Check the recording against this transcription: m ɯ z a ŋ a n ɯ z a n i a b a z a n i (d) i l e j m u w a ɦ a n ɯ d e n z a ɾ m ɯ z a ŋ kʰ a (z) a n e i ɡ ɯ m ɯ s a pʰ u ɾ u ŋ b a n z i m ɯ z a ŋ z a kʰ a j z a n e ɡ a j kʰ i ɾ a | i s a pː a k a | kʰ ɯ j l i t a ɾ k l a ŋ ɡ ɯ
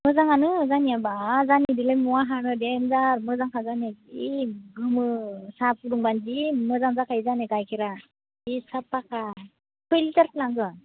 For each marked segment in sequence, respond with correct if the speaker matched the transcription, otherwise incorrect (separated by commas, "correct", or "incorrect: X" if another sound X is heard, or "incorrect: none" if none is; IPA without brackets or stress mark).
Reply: correct, correct